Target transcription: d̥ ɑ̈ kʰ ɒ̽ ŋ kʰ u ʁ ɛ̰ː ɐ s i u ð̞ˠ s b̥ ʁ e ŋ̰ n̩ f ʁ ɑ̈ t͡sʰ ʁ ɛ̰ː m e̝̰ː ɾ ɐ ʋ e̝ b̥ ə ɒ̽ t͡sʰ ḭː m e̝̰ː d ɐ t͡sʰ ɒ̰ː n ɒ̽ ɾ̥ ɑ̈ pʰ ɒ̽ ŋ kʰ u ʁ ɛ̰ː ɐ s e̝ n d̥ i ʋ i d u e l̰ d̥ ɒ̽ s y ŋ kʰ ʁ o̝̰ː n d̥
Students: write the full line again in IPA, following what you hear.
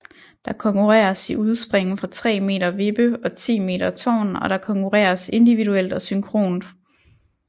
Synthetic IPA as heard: d̥ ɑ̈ kʰ ɒ̽ ŋ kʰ u ʁ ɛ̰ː ɐ s i u ð̞ˠ s b̥ ʁ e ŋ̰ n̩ f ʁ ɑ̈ t͡sʰ ʁ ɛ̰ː m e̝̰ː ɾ ɐ ʋ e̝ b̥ ə ɒ̽ t͡sʰ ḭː m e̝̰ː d ɐ t͡sʰ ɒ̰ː n ɒ̽ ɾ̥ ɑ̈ kʰ ɒ̽ ŋ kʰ u ʁ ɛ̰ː ɐ s e̝ n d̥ i ʋ i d u e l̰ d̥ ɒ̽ s y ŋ kʰ ʁ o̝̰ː n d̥